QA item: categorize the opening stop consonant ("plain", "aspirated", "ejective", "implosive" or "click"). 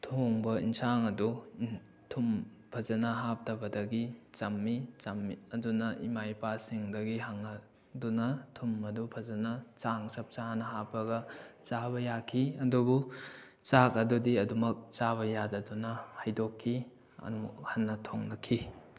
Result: aspirated